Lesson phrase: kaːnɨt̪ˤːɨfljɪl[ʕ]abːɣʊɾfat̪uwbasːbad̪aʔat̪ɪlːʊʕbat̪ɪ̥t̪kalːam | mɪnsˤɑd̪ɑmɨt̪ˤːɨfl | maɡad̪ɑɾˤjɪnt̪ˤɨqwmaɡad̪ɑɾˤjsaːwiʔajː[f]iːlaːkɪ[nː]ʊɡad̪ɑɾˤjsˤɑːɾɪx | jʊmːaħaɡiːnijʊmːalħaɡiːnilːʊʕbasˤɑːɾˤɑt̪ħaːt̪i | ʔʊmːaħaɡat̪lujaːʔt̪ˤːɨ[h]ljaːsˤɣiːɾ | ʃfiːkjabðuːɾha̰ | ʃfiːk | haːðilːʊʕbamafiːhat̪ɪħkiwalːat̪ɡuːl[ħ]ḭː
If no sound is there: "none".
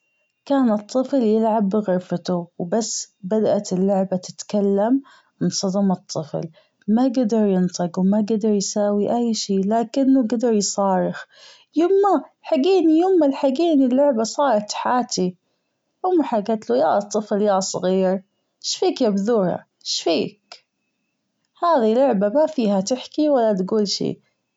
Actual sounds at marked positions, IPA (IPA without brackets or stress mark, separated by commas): ʕ, ʃ, nː, f, ʃ